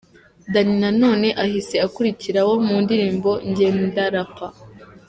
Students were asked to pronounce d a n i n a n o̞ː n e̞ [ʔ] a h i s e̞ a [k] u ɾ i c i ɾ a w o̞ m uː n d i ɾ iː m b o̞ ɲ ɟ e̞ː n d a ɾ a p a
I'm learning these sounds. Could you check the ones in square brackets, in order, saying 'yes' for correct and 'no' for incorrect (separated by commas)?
yes, yes